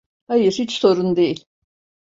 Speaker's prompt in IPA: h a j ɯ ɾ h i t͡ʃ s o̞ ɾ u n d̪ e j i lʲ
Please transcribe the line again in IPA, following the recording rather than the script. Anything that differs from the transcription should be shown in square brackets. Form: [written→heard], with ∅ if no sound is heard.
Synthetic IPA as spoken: h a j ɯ ɾ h i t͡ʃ s o̞ ɾ u n d̪ e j i lʲ